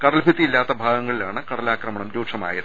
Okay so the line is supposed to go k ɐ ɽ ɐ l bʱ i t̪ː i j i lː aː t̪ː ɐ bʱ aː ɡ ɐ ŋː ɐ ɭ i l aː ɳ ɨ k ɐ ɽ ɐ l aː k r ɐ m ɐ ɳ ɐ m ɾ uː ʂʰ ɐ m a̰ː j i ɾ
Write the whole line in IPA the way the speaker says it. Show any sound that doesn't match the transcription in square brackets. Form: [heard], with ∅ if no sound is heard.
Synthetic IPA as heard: k ɐ ɽ ɐ l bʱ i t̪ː i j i lː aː t̪ː ɐ bʱ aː ɡ ɐ ŋː ɐ ɭ i l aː ɳ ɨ k ɐ ɽ ɐ l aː k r ɐ m ɐ ɳ ɐ m ɾ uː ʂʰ ɐ m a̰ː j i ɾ